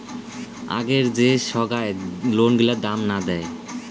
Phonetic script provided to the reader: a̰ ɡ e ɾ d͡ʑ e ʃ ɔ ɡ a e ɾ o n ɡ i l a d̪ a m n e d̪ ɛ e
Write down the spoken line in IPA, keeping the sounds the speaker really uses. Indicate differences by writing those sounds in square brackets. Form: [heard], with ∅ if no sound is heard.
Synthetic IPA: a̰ ɡ e ɾ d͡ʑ e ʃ ɔ ɡ a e [l] o n ɡ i l a d̪ a m n [a] d̪ ɛ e

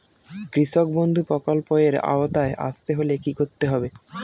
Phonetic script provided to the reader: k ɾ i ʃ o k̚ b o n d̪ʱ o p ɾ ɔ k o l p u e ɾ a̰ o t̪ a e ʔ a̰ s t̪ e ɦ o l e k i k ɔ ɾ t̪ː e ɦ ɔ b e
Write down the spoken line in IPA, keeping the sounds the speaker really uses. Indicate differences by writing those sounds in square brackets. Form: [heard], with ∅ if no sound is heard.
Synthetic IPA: k ɾ i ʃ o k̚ b o n d̪ʱ [u] p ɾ ɔ k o l p [o] e ɾ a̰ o t̪ a e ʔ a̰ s t̪ e ɦ o l e k i k [o] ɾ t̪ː e ɦ ɔ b e

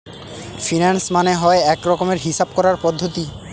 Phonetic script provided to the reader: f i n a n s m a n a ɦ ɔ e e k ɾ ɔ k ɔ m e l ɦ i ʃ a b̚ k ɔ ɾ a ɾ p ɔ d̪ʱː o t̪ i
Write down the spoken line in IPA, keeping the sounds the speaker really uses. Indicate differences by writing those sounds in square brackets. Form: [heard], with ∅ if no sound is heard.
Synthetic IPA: f i n a n s m a n [e] ɦ ɔ e [ɛ] k ɾ ɔ k [o] m e [ɾ] ɦ i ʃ a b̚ k ɔ ɾ a ɾ p ɔ d̪ʱː o t̪ i

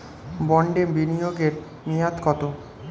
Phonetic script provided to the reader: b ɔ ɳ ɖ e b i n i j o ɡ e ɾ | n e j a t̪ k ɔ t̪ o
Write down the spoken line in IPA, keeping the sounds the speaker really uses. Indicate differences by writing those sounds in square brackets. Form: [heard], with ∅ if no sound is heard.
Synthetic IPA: b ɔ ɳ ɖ e b i n i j o ɡ e ɾ | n [i] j a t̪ k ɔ t̪ o

